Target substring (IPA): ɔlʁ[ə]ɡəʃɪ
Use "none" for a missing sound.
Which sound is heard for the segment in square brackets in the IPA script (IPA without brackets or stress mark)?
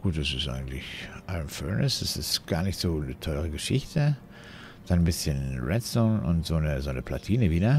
ə